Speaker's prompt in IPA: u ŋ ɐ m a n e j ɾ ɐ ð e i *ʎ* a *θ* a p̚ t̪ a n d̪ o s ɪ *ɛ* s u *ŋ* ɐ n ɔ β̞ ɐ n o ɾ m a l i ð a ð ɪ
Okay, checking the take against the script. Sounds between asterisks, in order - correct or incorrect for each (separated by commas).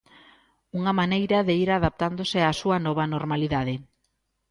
incorrect, incorrect, incorrect, incorrect